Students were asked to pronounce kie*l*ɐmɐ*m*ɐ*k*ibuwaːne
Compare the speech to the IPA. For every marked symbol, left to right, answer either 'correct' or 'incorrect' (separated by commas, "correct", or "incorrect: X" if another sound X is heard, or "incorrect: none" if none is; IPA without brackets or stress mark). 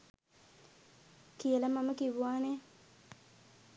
correct, correct, correct